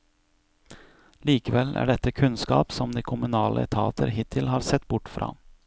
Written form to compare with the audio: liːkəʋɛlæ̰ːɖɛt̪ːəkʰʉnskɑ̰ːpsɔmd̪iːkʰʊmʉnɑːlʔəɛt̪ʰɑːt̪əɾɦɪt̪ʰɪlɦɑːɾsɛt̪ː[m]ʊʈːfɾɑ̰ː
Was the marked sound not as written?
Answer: yes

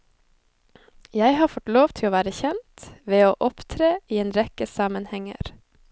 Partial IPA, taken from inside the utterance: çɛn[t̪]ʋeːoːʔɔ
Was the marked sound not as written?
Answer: no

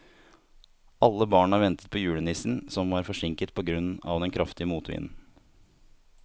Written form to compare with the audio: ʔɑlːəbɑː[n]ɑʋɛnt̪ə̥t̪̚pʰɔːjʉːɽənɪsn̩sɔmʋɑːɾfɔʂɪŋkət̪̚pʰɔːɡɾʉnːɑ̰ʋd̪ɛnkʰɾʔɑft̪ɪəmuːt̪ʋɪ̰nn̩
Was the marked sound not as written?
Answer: yes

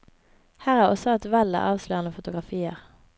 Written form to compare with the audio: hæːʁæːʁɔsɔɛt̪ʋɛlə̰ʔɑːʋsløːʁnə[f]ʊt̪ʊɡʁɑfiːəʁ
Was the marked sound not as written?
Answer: no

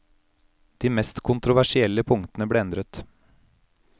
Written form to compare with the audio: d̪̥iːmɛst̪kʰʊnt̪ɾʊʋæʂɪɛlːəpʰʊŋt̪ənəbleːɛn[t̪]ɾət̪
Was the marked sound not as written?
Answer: yes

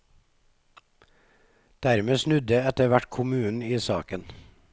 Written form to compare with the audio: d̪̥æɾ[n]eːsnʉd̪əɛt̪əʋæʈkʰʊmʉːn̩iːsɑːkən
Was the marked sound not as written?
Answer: yes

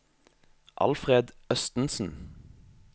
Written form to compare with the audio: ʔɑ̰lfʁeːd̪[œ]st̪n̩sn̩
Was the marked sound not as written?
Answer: no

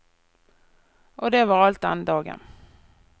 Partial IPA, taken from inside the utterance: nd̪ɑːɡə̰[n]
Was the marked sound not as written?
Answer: no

